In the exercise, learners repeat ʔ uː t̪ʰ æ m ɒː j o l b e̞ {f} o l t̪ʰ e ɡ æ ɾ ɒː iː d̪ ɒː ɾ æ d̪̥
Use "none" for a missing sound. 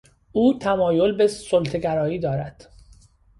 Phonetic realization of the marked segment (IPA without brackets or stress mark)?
s